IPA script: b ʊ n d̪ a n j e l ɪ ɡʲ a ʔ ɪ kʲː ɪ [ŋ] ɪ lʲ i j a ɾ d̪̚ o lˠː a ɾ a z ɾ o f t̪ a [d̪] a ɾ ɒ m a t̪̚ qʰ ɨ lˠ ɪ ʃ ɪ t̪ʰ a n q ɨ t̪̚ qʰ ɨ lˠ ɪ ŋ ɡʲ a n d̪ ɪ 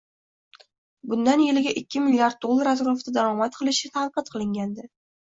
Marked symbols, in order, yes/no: no, yes

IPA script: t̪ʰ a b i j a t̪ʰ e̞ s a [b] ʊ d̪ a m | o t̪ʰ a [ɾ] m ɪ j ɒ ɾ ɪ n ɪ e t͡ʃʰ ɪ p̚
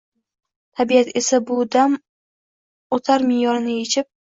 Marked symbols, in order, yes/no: yes, yes

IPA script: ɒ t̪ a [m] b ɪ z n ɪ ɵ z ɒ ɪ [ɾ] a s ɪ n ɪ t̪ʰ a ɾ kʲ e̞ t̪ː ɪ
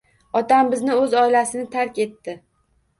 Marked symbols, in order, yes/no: yes, no

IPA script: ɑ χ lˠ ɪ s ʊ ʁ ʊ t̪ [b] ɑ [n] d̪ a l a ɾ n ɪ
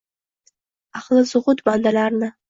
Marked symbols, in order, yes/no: yes, yes

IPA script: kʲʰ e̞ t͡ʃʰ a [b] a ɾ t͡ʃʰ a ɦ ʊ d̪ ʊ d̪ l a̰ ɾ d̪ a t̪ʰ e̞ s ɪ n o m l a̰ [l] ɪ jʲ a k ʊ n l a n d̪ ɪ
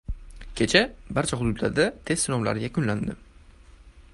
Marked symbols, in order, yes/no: yes, no

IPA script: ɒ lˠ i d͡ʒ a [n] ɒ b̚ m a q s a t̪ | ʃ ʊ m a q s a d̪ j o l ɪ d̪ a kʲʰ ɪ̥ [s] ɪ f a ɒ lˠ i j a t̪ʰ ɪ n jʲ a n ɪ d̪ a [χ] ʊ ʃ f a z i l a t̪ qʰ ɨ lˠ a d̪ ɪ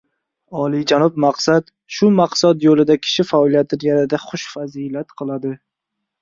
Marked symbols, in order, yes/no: yes, no, yes

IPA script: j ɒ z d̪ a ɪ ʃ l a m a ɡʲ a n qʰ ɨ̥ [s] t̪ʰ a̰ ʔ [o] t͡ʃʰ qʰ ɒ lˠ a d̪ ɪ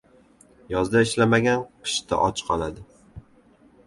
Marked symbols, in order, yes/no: no, no

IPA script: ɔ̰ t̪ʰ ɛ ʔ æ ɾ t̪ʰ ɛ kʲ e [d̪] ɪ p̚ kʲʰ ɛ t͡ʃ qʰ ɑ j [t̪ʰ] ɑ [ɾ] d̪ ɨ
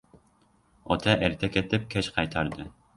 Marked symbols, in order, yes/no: no, yes, yes

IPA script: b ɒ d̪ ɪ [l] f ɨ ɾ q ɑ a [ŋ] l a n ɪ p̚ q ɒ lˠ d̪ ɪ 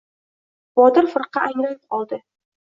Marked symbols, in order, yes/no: no, yes

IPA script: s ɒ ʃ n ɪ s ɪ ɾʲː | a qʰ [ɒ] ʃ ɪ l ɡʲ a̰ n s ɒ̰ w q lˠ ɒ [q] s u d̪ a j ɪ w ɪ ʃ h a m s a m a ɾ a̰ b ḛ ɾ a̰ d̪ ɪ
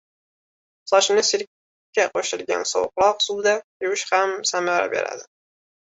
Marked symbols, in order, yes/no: no, yes

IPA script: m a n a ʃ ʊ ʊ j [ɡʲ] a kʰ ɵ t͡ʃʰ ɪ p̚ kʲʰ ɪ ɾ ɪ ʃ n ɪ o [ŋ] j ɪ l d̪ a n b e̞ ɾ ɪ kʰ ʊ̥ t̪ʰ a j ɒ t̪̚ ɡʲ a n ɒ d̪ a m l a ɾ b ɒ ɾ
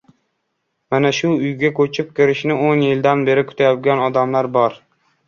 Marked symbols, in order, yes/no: yes, no

